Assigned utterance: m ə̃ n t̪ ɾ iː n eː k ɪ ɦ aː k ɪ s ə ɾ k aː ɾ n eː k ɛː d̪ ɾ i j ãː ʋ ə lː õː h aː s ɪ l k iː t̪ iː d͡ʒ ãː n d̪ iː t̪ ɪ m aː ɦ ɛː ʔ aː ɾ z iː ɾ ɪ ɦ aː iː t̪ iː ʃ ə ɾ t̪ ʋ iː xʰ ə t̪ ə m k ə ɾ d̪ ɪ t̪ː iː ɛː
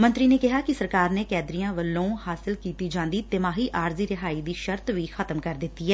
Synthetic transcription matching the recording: m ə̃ n t̪ ɾ iː n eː k ɪ ɦ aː k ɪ s ə ɾ k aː ɾ n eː k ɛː d̪ ɾ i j ãː ʋ ə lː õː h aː s ɪ l k iː t̪ iː d͡ʒ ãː n d̪ iː t̪ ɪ m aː ɦ iː ʔ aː ɾ z iː ɾ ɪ ɦ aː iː d̪ iː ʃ ə ɾ t̪ ʋ iː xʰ ə t̪ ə m k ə ɾ d̪ ɪ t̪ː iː ɛː